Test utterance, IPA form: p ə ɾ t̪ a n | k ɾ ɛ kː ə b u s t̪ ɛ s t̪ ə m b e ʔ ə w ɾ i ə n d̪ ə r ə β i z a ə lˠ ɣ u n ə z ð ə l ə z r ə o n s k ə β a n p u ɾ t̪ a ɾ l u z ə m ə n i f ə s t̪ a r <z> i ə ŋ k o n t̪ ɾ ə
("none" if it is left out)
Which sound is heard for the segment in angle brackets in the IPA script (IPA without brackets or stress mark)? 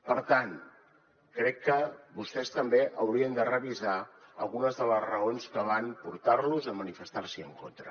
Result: s